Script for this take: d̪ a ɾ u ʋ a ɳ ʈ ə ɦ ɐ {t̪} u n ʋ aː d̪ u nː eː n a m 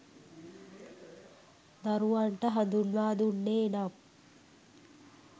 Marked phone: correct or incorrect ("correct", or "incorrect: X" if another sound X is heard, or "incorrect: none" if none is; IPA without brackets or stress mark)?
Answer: incorrect: d̪